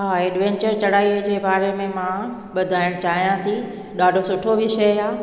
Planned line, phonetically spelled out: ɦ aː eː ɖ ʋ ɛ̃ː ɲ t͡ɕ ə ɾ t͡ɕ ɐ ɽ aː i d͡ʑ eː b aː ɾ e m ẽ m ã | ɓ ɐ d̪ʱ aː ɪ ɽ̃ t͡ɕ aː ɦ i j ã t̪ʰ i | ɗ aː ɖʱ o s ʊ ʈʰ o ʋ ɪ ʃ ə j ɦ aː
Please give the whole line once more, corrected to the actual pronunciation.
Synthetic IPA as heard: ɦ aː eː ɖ ʋ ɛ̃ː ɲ t͡ɕ ə ɾ t͡ɕ ɐ ɽ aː i d͡ʑ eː b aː ɾ e m ẽ m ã | ɓ ɐ d̪ʱ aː ɪ ɽ̃ t͡ɕ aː ɦ i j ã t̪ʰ i | ɗ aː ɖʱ o s ʊ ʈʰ o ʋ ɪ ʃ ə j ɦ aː